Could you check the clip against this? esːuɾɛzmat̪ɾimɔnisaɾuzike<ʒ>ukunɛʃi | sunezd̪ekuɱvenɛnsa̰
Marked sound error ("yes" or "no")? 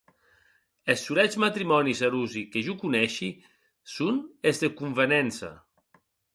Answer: no